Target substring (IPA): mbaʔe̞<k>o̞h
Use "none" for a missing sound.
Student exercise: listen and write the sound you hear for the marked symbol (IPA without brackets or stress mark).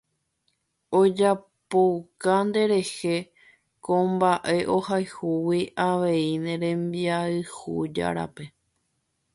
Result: ʔ